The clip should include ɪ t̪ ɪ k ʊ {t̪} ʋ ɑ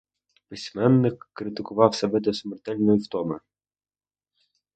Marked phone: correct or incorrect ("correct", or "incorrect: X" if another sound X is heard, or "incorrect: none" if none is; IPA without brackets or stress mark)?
incorrect: none